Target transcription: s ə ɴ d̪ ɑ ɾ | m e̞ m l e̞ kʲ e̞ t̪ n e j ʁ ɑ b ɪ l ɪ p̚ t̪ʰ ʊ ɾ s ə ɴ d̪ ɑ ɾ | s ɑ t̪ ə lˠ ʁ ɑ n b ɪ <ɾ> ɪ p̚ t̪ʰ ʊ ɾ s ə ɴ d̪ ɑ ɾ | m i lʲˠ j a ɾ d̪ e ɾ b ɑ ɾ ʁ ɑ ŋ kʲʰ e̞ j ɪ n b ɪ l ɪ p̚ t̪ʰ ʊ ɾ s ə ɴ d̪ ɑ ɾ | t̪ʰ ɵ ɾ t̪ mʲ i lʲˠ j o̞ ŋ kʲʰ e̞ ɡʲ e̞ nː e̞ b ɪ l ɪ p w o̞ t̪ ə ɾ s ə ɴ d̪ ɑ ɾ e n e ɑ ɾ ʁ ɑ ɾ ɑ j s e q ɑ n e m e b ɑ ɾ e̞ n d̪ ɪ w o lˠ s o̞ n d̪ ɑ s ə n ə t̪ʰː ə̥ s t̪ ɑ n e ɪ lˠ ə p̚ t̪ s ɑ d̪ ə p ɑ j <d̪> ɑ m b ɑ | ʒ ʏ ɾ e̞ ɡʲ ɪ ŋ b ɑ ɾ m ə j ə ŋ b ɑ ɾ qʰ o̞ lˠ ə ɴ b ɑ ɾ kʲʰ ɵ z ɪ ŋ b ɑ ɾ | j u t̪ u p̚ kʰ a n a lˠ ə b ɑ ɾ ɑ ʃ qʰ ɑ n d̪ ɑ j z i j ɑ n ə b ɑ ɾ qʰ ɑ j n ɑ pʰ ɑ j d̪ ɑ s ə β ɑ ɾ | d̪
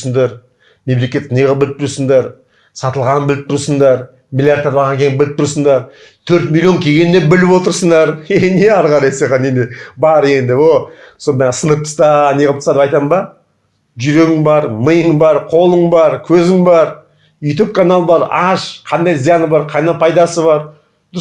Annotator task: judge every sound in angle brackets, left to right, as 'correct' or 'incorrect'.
incorrect: l, incorrect: t̪

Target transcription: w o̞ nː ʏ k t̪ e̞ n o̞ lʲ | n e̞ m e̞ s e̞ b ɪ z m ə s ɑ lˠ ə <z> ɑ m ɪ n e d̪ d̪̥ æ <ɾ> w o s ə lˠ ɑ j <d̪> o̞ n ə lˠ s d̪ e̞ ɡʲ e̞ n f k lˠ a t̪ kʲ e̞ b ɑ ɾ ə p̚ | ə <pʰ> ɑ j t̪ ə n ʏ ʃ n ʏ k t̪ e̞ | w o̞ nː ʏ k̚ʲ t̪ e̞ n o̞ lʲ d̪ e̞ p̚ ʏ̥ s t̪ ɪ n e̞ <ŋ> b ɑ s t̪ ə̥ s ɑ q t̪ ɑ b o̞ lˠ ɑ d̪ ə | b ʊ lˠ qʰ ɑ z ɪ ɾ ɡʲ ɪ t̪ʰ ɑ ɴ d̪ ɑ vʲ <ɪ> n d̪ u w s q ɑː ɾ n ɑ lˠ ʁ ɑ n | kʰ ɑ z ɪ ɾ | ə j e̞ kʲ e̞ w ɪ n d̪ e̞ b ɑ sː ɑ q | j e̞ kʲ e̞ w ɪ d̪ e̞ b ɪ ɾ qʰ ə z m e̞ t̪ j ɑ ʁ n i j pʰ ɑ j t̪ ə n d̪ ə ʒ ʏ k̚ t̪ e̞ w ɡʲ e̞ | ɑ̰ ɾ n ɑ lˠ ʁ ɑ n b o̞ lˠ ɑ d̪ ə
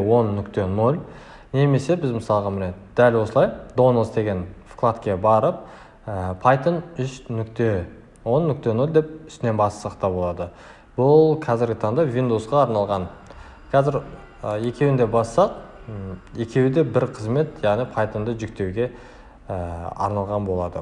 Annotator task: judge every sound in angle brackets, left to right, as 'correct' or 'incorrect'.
incorrect: ʁ, incorrect: l, correct, correct, incorrect: n, incorrect: i

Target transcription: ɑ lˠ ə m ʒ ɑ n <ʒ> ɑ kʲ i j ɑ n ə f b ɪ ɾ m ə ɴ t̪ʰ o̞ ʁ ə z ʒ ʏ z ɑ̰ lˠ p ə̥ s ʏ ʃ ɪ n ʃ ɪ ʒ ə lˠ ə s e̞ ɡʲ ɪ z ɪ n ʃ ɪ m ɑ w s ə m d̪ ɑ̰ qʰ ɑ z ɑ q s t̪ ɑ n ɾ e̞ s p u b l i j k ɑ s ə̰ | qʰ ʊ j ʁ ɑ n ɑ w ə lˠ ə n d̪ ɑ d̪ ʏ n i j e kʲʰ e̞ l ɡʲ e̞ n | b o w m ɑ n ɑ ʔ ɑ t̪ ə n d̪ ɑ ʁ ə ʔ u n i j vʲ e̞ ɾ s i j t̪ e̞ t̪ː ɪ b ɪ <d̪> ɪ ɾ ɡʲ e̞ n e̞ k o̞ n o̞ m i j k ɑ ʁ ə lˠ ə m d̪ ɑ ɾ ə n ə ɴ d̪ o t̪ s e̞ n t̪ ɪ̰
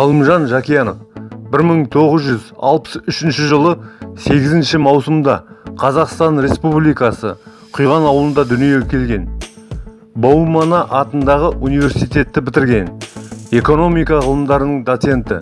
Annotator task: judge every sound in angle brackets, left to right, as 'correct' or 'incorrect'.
correct, incorrect: t̪

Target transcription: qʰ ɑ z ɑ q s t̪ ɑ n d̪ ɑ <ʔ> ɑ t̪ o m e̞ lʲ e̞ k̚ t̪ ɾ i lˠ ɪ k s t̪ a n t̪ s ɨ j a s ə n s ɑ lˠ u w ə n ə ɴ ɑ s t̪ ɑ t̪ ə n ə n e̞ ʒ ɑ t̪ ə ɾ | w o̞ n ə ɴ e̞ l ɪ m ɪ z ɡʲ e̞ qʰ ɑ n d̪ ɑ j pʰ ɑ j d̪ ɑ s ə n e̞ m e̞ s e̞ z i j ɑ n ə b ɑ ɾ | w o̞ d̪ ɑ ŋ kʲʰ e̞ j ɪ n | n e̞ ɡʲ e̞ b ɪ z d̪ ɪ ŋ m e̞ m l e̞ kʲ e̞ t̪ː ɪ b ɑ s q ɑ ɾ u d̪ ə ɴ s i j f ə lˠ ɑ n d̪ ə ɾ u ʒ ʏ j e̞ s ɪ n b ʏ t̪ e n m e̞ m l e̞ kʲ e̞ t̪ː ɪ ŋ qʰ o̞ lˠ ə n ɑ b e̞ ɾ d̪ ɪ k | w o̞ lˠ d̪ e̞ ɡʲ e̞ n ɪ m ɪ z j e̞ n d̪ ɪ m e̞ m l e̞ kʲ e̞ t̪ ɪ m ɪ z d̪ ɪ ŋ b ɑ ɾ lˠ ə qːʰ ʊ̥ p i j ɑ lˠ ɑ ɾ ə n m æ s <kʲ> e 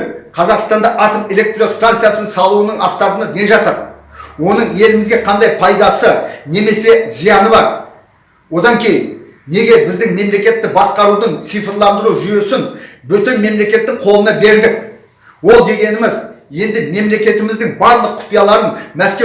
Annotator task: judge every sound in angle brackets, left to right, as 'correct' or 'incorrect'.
correct, correct

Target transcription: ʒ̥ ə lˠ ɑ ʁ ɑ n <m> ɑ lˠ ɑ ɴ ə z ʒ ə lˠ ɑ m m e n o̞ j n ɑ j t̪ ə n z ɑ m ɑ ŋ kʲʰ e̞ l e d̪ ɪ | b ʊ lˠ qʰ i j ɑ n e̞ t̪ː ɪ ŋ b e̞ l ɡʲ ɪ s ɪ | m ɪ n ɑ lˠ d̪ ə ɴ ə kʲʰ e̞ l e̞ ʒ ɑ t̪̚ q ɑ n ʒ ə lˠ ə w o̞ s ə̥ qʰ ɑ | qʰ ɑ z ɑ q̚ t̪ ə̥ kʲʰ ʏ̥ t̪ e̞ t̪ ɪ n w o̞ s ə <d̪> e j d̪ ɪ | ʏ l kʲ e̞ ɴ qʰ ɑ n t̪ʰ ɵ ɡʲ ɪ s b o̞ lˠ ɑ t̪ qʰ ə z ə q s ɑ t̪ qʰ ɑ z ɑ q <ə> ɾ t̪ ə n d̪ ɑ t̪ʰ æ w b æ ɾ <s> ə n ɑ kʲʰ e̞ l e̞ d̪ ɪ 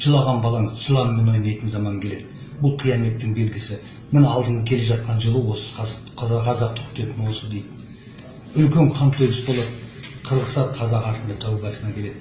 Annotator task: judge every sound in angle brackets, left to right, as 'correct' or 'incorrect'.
incorrect: b, correct, incorrect: ɑ, correct

